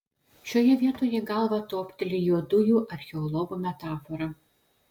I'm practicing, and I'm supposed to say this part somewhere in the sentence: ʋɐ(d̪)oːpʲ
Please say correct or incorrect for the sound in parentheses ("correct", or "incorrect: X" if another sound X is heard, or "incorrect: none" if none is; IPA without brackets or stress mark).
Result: incorrect: t̪